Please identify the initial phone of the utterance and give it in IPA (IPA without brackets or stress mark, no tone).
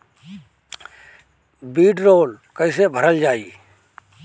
b